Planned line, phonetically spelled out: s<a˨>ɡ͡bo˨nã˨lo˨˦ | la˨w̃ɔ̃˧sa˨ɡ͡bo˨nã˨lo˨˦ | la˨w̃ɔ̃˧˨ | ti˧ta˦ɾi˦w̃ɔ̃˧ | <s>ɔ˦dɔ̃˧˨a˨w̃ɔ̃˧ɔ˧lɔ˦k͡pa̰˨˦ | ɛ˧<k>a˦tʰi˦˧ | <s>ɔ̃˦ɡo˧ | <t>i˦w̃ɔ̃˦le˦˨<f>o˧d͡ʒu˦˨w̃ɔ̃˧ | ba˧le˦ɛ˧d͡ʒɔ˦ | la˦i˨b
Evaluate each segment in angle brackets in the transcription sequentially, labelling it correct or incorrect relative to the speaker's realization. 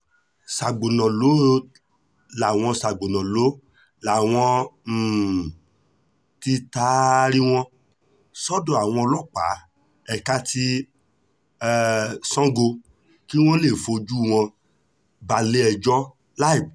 correct, correct, correct, correct, incorrect: k, correct

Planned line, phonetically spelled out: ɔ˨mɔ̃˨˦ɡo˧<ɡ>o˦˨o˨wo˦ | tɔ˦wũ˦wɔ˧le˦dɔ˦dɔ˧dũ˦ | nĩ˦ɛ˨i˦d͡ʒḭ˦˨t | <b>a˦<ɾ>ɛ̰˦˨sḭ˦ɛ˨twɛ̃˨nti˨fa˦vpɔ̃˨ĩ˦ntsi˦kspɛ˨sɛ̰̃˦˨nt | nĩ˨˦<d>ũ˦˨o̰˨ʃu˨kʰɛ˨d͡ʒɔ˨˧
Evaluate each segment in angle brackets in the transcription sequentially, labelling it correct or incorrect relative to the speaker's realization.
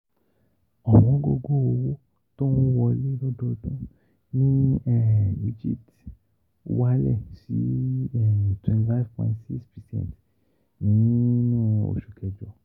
correct, incorrect: w, incorrect: l, incorrect: n

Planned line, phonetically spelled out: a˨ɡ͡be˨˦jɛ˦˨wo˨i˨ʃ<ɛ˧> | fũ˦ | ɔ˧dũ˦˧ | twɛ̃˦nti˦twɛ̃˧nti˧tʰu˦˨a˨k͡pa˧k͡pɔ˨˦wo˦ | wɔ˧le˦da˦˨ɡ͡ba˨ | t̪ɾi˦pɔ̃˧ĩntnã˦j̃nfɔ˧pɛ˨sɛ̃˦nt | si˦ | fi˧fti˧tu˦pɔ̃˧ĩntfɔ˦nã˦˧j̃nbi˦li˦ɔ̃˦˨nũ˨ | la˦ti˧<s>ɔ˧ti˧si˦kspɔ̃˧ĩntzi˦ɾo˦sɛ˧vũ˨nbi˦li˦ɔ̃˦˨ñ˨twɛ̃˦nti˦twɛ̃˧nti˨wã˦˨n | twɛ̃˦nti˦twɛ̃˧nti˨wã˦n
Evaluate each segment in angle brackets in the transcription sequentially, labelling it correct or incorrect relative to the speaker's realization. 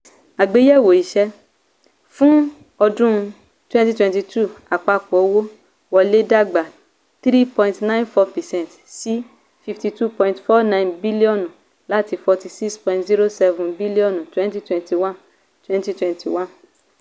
correct, incorrect: f

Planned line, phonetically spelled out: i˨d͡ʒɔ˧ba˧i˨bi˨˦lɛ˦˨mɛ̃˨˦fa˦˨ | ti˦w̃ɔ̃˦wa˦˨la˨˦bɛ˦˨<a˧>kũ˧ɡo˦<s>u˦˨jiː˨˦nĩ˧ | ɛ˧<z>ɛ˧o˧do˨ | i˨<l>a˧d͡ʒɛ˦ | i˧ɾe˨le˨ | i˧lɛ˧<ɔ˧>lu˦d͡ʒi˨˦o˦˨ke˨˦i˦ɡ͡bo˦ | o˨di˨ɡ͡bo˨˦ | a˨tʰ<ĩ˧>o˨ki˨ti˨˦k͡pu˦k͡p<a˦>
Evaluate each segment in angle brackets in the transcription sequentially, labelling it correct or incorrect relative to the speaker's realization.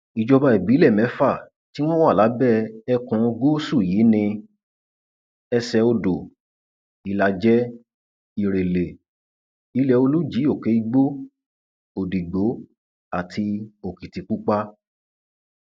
incorrect: ɛ˧, correct, incorrect: s, correct, incorrect: o˧, incorrect: i˧, correct

